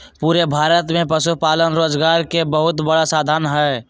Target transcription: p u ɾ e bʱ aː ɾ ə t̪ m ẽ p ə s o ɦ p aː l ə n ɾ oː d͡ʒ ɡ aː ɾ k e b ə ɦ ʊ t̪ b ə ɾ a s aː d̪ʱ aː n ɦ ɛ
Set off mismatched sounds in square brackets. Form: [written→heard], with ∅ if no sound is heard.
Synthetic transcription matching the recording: p u ɾ e bʱ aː ɾ ə t̪ m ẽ p ə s [o→u] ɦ p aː l ə n ɾ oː d͡ʒ ɡ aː ɾ k e b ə ɦ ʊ t̪ b ə [ɾ→ɽ] a s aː d̪ʱ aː n ɦ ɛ